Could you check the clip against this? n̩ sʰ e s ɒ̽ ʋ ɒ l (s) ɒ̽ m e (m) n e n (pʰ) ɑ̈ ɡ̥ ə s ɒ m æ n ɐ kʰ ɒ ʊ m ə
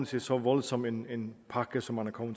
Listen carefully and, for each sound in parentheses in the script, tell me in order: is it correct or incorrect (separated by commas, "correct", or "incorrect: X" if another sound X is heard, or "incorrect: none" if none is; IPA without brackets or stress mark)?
correct, incorrect: none, correct